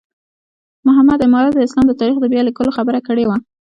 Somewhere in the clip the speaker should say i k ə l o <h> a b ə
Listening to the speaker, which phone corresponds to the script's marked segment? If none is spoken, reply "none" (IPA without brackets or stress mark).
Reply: x